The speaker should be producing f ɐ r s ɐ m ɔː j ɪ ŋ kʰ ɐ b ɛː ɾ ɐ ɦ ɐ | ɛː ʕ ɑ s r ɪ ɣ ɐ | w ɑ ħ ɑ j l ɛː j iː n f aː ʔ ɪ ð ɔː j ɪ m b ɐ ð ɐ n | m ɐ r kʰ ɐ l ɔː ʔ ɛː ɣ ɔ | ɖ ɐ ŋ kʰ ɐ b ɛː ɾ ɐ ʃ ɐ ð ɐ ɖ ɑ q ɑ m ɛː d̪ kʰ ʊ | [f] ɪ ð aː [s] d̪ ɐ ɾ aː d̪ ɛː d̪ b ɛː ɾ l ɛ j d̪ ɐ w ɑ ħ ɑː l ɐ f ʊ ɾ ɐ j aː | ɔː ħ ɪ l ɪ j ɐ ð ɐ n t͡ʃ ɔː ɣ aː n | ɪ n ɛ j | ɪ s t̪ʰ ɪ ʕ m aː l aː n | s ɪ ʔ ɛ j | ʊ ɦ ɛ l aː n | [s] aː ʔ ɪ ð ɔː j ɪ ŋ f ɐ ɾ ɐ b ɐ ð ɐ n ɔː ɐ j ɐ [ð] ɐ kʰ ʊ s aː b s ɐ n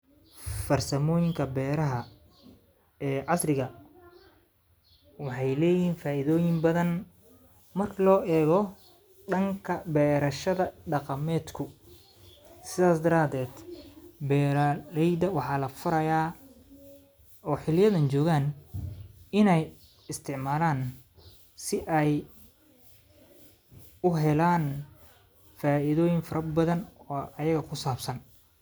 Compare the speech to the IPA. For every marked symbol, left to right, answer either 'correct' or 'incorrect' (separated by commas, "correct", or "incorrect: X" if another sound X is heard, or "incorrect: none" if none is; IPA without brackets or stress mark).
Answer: incorrect: s, correct, incorrect: f, incorrect: ɣ